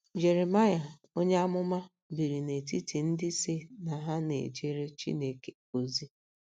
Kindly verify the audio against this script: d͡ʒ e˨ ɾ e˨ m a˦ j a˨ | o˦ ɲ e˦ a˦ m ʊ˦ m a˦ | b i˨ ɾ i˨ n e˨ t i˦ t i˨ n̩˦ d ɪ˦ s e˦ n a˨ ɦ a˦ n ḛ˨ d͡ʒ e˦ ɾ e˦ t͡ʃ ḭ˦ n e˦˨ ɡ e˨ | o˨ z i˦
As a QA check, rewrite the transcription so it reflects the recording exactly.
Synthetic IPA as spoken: d͡ʒ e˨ ɾ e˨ m a˦ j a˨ | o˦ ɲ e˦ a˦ m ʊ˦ m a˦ | b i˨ ɾ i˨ n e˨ t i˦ t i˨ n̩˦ d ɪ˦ s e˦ n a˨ ɦ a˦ n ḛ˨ d͡ʒ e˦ ɾ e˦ t͡ʃ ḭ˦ n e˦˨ k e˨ | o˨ z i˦